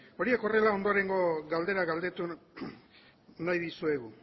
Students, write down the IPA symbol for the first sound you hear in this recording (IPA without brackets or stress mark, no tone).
o̞